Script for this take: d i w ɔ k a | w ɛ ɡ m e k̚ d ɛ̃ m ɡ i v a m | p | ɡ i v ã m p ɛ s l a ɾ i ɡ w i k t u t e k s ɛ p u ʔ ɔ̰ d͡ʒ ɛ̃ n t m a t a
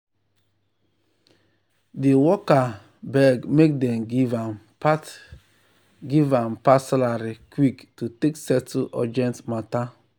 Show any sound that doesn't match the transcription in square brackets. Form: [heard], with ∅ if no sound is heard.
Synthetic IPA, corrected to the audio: d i w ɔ k a | [b] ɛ ɡ m e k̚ d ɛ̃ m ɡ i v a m | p | ɡ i v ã m p [a] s l a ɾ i [k] w i k t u t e k s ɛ [t] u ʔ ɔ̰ d͡ʒ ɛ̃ n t m a t a